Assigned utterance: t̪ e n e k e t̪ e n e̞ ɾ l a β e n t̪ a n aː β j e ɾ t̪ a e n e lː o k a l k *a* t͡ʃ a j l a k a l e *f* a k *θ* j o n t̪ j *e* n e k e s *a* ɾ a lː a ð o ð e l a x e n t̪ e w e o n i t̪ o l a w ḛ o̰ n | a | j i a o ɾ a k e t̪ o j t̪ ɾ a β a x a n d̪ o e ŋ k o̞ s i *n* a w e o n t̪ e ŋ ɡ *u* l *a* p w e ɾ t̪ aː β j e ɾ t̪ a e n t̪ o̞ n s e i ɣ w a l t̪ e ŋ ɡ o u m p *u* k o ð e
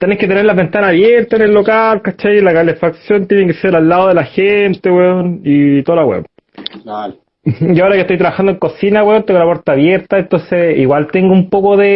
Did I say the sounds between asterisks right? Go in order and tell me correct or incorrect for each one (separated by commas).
correct, correct, incorrect, correct, incorrect, correct, incorrect, correct, incorrect